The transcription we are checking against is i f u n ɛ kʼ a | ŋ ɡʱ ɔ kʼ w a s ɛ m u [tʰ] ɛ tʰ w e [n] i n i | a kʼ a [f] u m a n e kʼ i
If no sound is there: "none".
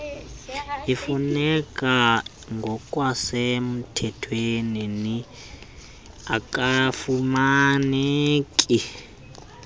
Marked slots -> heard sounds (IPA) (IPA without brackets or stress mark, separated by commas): tʰ, n, f